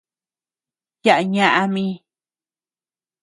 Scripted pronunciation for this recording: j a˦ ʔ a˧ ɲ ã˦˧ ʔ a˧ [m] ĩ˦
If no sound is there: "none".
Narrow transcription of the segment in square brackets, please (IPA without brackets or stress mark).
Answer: m